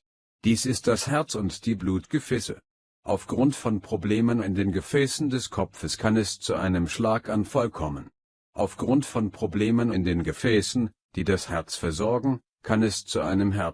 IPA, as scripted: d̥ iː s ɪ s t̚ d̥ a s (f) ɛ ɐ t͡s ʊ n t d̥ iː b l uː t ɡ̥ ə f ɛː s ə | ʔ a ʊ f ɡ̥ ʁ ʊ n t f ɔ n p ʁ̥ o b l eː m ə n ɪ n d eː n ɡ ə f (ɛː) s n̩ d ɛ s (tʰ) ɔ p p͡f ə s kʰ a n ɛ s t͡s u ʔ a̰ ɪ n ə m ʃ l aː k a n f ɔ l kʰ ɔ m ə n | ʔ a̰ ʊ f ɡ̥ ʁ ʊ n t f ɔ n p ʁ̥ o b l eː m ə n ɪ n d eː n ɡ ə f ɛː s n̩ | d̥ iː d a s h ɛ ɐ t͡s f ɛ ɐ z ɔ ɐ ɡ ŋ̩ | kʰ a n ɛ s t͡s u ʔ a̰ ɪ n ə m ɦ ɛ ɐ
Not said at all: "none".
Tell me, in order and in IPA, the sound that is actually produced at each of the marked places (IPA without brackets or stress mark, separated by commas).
h, ɛː, kʰ